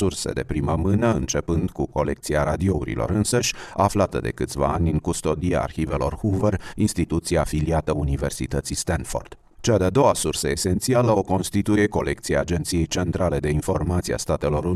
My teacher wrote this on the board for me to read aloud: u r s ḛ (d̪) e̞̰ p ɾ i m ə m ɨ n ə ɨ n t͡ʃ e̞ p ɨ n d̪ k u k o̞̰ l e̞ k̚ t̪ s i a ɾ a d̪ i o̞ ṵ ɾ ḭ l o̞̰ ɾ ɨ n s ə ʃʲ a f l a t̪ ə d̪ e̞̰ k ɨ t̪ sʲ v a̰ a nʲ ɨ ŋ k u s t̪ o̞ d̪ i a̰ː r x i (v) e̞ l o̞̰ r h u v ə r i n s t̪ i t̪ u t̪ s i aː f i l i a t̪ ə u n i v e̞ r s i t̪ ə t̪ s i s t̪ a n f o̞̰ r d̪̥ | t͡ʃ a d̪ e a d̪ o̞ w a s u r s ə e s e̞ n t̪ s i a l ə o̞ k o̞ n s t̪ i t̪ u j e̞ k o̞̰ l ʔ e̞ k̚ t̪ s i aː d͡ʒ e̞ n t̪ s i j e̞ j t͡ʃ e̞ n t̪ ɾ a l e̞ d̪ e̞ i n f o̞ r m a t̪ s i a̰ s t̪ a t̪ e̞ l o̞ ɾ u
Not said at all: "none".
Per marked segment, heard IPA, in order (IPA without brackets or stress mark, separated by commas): d̪, v